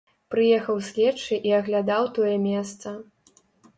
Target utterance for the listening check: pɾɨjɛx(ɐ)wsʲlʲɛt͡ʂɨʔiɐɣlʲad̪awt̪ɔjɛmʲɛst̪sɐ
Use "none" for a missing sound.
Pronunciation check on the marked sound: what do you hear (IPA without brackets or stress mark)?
ɐ